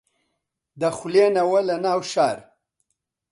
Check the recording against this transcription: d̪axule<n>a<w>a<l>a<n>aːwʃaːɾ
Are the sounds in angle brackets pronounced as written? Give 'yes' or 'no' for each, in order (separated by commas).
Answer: yes, yes, yes, yes